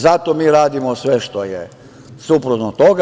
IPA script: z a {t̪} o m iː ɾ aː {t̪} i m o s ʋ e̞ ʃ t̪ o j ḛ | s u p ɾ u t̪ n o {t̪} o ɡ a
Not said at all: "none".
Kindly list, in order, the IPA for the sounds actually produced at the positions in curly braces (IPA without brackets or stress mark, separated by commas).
t̪, d̪, t̪